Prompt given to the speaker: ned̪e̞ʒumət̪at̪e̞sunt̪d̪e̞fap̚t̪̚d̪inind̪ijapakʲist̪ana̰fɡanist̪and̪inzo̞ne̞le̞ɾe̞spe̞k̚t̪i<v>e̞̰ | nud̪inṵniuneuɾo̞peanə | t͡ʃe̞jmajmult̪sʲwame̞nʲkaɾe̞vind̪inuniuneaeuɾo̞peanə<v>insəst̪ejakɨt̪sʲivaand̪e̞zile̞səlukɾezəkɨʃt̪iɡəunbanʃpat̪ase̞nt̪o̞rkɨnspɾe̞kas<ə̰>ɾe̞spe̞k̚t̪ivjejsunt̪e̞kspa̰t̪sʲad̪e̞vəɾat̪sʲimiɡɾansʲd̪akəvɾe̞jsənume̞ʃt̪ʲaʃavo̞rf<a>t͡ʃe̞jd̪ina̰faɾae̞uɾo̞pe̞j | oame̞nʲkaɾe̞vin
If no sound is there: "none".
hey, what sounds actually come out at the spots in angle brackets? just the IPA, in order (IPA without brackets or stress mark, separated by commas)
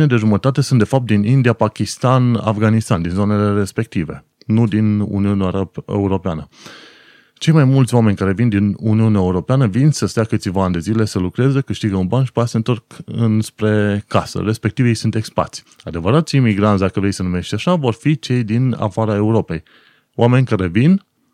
v, v, ə̰, i